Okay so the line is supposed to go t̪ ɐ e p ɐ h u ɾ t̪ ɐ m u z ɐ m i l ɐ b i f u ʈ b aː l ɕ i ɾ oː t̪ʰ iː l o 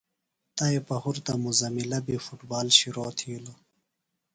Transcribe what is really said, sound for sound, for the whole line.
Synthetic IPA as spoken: t̪ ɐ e p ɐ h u ɾ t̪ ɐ m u z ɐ m i l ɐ b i f u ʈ b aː l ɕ i ɾ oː t̪ʰ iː l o